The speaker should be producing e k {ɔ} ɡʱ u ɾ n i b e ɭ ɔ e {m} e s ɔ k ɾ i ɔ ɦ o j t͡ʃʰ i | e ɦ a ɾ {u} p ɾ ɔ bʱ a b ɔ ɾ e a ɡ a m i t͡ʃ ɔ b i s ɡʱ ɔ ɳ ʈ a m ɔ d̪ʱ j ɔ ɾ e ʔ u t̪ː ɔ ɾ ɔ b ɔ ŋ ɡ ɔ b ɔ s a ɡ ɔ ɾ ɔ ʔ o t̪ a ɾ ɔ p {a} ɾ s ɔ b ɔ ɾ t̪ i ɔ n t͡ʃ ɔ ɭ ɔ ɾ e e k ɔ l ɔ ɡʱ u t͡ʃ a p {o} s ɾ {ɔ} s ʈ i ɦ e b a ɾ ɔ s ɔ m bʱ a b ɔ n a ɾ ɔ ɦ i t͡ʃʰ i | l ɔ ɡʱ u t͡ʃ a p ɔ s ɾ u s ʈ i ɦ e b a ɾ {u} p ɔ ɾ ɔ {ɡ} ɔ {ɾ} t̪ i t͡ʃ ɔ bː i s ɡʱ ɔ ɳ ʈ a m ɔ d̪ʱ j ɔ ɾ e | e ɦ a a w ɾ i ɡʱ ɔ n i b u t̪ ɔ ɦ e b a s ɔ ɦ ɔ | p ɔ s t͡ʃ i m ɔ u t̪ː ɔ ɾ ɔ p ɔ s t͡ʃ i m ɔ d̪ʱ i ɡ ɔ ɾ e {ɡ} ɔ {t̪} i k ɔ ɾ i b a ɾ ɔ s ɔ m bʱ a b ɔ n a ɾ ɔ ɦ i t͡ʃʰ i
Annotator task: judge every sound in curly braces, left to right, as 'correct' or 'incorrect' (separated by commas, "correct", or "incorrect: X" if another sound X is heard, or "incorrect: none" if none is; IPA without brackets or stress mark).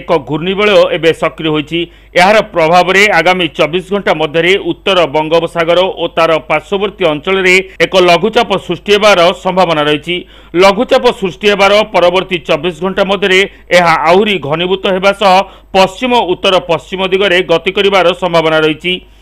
correct, incorrect: b, incorrect: ɔ, correct, incorrect: ɔ, incorrect: u, incorrect: ɔ, incorrect: b, correct, correct, correct